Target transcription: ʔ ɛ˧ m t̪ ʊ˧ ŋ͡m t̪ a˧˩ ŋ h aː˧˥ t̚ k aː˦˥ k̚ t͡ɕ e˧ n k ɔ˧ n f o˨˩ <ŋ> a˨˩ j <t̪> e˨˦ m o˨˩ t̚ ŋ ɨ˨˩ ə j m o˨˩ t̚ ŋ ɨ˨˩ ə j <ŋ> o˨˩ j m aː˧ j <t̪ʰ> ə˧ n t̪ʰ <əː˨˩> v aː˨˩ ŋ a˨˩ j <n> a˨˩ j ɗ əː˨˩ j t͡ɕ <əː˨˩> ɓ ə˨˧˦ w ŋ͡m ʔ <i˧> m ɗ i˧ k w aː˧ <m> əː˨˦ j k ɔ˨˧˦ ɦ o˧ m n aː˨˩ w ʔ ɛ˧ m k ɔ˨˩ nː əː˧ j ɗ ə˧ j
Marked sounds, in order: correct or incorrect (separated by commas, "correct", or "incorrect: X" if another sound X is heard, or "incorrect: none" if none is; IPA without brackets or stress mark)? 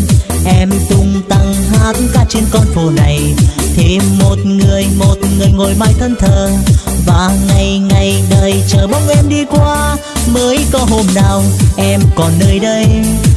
incorrect: n, incorrect: t̪ʰ, correct, correct, correct, incorrect: ŋ, correct, incorrect: ɛ˧, correct